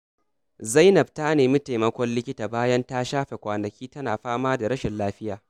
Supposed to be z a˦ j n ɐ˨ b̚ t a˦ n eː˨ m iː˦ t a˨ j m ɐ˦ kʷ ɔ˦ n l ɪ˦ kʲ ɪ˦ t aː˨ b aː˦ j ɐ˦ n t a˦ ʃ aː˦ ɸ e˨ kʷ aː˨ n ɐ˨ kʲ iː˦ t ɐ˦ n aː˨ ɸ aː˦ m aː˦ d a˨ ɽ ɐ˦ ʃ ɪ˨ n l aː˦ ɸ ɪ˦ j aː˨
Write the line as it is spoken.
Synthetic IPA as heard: z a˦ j n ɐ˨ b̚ t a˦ n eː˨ m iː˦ t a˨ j m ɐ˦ kʷ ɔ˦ n l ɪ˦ kʲ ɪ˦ t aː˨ b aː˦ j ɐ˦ n t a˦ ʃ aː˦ ɸ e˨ kʷ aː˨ n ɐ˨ kʲ iː˦ t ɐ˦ n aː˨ ɸ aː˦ m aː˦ d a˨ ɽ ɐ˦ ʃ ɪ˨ n l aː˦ ɸ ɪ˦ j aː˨